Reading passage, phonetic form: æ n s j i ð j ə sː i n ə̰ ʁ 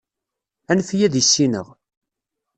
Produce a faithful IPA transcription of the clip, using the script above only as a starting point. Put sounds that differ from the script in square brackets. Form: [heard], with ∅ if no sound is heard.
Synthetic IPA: æ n [f] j [æ] ð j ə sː i n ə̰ ʁ